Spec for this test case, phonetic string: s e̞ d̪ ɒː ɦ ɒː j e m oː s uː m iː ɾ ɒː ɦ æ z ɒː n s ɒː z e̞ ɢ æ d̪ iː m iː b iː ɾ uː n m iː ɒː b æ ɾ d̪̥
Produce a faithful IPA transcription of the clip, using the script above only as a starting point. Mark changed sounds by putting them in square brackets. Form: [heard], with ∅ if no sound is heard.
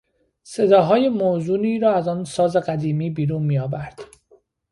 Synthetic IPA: s e̞ d̪ ɒː ɦ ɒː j e m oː [z] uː [n] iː ɾ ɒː [∅] æ z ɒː n s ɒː z e̞ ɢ æ d̪ iː m iː b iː ɾ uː n m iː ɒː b æ ɾ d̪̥

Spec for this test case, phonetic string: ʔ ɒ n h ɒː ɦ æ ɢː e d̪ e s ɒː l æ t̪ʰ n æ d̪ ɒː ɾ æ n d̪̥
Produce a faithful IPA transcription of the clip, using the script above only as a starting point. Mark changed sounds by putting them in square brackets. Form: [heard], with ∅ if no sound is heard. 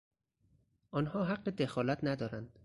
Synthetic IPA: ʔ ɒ n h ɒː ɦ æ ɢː e d̪ e [x] ɒː l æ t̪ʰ n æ d̪ ɒː ɾ æ n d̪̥

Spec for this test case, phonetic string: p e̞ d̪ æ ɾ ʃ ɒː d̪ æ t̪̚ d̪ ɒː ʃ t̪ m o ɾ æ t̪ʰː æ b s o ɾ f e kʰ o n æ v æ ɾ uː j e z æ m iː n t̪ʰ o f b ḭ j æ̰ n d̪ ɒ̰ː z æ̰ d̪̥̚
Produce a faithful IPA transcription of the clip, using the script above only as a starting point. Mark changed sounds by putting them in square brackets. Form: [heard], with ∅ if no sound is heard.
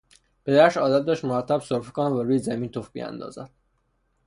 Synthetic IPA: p e̞ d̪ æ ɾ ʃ ɒː d̪ æ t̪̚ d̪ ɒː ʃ t̪ m o ɾ æ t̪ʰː æ b s o ɾ f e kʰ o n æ v æ ɾ uː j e z æ m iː n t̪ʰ o f b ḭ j æ̰ n d̪ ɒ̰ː z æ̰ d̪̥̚

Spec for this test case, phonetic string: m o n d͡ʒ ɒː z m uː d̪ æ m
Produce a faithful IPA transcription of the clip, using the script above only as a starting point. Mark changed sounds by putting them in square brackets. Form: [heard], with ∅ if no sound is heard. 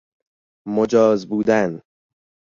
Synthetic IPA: m o [∅] d͡ʒ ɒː z [b] uː d̪ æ [n]

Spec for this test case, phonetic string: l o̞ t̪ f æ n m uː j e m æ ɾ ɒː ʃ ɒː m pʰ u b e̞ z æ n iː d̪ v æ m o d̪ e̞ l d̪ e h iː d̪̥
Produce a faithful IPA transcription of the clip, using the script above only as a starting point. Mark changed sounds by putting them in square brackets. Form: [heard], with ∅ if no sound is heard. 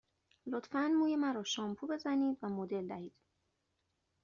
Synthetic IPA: l o̞ t̪ f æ n m uː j e m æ ɾ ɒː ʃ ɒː m pʰ u b e̞ z æ n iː d̪ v æ m o d̪ e̞ l d̪ [æ] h iː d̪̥

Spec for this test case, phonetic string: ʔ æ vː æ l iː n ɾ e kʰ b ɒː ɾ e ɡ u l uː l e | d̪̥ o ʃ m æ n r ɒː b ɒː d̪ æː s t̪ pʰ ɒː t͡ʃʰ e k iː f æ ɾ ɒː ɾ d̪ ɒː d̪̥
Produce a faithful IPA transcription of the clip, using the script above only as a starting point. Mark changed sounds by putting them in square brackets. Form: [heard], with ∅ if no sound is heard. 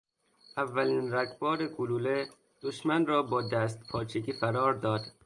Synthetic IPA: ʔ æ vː æ l iː n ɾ [æ] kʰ b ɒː ɾ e ɡ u l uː l e | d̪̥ o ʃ m æ n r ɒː b ɒː d̪ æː s t̪ pʰ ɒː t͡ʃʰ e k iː f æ ɾ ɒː ɾ d̪ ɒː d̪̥

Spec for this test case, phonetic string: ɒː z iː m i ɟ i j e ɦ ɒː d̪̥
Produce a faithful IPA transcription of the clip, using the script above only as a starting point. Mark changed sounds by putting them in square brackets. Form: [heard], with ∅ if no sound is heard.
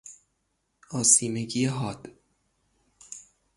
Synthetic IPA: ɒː [s] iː m [e] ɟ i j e ɦ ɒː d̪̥

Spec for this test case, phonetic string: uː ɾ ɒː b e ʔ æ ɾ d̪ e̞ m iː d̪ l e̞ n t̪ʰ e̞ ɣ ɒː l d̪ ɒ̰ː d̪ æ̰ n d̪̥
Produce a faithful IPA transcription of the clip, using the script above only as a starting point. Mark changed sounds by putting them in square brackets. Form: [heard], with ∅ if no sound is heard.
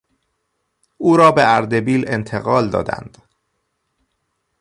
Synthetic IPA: uː ɾ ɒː b e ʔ æ ɾ d̪ e̞ [b] iː [∅] l e̞ n t̪ʰ e̞ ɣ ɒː l d̪ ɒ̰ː d̪ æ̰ n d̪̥

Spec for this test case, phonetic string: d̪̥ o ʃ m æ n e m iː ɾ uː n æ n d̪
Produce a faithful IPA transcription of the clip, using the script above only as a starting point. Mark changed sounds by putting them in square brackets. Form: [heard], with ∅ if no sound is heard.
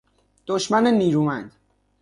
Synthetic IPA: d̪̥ o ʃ m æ n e [n] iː ɾ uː [m] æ n d̪

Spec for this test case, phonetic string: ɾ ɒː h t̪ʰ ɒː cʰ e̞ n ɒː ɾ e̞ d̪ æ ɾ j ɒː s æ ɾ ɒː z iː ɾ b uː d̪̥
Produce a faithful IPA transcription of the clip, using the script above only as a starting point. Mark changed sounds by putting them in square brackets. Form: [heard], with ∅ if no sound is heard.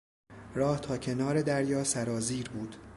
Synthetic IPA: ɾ ɒː h t̪ʰ ɒː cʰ e̞ n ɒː ɾ e̞ d̪ æ ɾ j ɒː s æ ɾ ɒː z iː ɾ b uː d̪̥

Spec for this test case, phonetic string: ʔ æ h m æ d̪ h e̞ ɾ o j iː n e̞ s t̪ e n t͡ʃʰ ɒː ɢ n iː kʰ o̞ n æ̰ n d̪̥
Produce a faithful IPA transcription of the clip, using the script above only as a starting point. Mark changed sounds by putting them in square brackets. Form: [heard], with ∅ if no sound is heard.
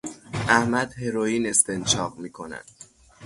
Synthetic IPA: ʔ æ h m æ d̪ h e̞ ɾ o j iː n e̞ s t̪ e n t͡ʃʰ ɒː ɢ [m] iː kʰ o̞ n æ̰ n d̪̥

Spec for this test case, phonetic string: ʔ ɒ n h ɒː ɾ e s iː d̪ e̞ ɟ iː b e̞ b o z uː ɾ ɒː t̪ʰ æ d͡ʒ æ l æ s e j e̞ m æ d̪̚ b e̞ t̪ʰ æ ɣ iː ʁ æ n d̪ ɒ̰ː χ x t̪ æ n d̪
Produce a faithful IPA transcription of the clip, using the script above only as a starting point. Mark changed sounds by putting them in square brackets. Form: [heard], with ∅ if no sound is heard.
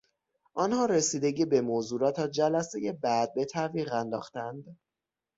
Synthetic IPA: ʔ ɒ n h ɒː ɾ e s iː d̪ e̞ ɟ iː b e̞ [m] o z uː ɾ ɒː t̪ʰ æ d͡ʒ æ l æ s e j e̞ [b] æ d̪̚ b e̞ t̪ʰ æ [v] iː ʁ æ n d̪ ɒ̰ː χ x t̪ æ n d̪

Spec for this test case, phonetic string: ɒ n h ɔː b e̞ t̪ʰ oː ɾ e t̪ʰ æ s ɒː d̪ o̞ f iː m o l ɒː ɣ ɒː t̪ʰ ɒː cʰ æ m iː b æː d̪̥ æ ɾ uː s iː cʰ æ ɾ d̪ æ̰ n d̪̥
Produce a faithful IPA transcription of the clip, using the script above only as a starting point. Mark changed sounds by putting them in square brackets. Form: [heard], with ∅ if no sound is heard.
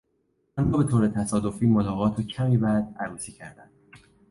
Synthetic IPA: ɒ n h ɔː b e̞ t̪ʰ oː ɾ e t̪ʰ æ s ɒː d̪ o̞ f iː m o l ɒː ɣ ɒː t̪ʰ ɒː cʰ æ m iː b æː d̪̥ æ ɾ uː s iː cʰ æ ɾ d̪ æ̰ n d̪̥

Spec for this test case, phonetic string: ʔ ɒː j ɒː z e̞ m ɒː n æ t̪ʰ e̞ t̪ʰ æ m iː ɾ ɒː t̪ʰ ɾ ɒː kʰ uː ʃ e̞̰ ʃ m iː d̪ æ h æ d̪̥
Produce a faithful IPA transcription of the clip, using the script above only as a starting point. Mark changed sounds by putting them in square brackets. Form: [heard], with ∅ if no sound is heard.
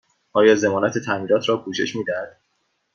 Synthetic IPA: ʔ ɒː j ɒː z e̞ m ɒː n æ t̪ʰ e̞ t̪ʰ æ m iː ɾ ɒː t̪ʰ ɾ ɒː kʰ uː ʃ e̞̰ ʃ m iː d̪ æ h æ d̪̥

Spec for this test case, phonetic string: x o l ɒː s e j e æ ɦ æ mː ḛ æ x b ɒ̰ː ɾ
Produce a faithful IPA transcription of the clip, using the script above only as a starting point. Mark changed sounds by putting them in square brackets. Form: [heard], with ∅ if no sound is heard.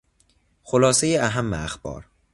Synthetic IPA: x o l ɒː s e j e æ ɦ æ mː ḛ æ x b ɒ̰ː ɾ

